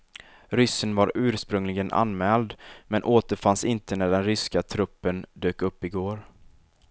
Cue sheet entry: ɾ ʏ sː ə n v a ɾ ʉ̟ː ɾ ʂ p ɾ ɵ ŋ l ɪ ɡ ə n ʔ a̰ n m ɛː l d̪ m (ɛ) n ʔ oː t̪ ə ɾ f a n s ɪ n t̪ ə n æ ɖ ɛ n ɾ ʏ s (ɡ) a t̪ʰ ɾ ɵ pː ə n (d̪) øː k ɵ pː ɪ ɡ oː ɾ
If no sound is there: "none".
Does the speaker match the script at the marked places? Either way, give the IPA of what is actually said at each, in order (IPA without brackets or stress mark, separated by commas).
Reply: ɛ, k, d̪